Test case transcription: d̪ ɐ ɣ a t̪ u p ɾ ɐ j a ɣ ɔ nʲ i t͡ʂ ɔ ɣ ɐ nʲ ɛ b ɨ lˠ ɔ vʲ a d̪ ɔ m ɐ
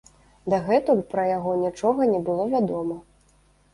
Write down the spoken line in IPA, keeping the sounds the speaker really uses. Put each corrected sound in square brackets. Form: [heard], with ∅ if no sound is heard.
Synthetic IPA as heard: d̪ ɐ ɣ [ɛ] t̪ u p ɾ ɐ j a ɣ ɔ nʲ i t͡ʂ ɔ ɣ ɐ nʲ ɛ b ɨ lˠ ɔ vʲ a d̪ ɔ m ɐ